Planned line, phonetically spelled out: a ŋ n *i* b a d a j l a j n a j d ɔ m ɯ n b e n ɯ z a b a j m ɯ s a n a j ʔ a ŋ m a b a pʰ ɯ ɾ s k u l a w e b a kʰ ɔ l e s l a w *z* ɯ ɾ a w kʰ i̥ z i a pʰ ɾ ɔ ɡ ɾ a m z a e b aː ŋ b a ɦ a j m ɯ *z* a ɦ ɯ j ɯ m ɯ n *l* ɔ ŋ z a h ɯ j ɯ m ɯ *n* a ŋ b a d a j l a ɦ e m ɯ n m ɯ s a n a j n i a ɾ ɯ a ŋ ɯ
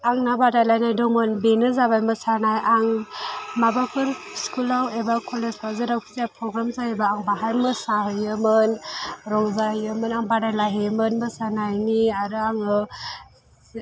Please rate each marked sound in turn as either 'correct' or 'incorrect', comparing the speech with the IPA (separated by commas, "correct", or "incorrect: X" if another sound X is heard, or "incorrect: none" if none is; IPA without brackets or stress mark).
incorrect: a, correct, incorrect: s, incorrect: ɾ, correct